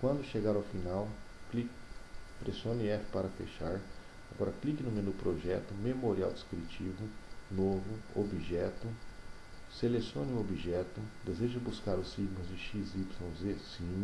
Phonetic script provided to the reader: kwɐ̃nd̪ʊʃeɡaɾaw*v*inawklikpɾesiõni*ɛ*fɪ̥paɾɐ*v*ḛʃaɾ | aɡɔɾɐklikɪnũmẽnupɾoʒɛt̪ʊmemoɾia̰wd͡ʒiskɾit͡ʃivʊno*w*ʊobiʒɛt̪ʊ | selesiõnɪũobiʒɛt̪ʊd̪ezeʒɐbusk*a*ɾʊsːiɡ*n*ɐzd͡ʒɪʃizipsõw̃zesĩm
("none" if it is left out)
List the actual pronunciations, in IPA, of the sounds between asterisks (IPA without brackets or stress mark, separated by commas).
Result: f, ɛ, f, v, a, m